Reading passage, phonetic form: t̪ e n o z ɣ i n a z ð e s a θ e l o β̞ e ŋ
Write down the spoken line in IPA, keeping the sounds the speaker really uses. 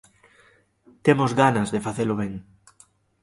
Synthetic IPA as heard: t̪ e m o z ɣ a n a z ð e f a θ e l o β̞ e ŋ